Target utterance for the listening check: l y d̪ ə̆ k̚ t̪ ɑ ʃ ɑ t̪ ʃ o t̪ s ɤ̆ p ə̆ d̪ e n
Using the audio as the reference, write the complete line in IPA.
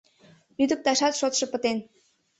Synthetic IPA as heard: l y d̪ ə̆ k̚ t̪ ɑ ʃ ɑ t̪ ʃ o t̪ ʃ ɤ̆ p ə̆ t̪ e n